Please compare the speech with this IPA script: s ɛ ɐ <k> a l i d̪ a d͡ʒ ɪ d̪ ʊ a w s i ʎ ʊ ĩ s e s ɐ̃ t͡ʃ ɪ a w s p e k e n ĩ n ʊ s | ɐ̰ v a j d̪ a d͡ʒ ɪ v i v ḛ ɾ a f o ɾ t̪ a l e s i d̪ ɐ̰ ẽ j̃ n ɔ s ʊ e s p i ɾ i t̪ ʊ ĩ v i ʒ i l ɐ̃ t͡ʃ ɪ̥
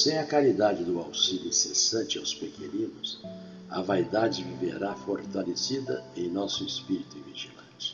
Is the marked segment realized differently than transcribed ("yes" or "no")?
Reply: no